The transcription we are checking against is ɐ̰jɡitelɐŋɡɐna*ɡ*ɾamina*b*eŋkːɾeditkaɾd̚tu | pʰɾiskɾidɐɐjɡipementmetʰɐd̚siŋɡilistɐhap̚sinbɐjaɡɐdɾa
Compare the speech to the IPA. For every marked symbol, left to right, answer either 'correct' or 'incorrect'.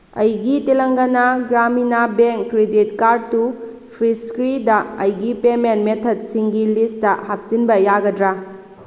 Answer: correct, correct

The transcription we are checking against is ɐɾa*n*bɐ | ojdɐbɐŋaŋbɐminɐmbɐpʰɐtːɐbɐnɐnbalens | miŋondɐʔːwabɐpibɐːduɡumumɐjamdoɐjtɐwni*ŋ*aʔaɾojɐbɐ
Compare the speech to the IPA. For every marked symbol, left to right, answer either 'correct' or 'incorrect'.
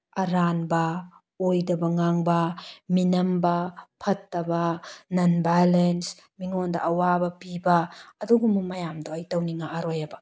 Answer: correct, correct

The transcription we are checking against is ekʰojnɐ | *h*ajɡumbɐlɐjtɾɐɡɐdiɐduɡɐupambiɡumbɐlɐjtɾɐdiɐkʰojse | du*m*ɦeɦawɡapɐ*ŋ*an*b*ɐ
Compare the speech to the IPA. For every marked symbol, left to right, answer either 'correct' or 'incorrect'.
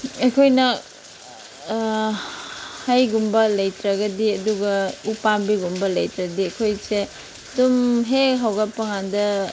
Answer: correct, correct, correct, incorrect

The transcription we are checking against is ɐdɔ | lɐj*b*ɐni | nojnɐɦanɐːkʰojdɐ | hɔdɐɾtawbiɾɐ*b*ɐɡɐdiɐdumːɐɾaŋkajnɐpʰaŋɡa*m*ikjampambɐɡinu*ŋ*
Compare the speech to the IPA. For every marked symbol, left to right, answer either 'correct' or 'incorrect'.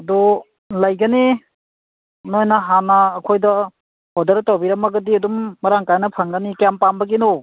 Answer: incorrect, incorrect, incorrect, incorrect

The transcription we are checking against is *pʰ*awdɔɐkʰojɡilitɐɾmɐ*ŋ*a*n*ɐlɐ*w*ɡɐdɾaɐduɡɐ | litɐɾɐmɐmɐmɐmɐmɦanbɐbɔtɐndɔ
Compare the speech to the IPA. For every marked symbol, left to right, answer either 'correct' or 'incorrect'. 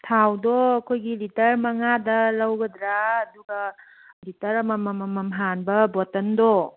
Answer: incorrect, correct, incorrect, correct

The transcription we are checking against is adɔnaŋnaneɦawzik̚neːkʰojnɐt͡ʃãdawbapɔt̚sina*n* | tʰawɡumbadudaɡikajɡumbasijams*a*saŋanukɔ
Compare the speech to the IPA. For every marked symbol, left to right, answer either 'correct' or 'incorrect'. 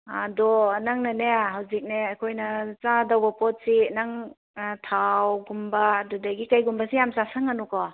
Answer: incorrect, correct

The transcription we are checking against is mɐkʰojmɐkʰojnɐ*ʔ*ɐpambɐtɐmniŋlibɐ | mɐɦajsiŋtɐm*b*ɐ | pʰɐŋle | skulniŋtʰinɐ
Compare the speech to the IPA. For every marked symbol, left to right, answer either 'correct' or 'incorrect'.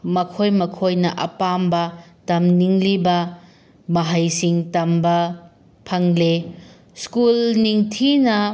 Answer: correct, correct

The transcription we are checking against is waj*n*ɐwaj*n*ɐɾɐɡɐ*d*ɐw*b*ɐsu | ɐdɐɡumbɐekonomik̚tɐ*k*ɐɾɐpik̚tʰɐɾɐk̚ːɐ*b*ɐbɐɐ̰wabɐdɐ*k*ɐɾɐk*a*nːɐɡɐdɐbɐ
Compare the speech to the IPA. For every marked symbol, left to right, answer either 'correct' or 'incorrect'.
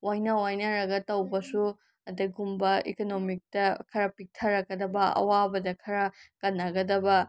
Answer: correct, correct, incorrect, correct, incorrect, incorrect, incorrect, incorrect

